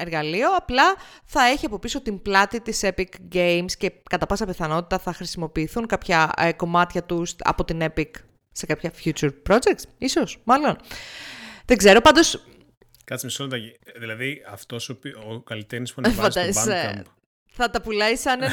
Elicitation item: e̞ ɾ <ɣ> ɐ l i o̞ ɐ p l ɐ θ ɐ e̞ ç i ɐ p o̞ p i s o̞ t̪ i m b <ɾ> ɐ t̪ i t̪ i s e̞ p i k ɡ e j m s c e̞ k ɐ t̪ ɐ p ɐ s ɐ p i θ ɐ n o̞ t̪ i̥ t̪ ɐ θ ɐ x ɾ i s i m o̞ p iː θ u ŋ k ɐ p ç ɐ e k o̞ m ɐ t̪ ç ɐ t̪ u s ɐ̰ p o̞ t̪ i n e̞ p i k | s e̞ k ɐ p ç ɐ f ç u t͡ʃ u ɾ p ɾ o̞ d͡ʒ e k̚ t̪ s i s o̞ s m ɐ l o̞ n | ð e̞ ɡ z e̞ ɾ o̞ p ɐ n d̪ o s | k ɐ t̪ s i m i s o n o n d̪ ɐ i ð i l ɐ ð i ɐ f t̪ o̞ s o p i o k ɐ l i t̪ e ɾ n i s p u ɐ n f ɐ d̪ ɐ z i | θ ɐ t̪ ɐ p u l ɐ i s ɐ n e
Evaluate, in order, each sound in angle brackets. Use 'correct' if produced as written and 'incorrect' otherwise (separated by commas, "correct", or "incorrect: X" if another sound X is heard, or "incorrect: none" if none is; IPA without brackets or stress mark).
correct, incorrect: l